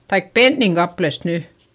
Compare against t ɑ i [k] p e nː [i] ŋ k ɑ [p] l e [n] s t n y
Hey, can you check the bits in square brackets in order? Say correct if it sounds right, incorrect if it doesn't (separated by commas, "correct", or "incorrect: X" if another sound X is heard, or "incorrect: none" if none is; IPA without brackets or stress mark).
correct, correct, correct, incorrect: none